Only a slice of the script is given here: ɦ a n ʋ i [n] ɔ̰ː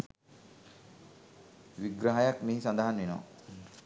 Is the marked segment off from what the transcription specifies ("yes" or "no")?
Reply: no